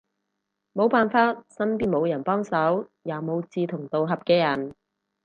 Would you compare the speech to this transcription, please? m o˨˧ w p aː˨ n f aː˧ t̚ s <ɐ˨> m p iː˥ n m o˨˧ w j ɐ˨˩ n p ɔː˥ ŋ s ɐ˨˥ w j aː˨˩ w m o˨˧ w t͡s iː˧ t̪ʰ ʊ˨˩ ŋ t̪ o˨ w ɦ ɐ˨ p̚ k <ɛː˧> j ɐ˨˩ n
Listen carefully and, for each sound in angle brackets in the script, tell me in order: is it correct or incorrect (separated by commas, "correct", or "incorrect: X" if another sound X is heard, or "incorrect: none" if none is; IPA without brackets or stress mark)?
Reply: incorrect: ɐ˥, correct